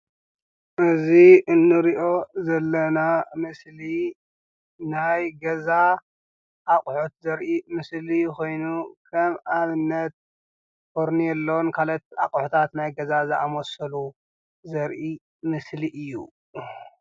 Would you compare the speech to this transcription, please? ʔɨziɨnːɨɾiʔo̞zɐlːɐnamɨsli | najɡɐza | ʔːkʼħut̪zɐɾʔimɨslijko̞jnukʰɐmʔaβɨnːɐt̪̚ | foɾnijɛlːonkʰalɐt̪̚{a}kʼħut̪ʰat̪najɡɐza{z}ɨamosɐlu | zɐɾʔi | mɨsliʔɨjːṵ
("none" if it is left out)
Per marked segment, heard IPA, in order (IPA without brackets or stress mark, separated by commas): a, z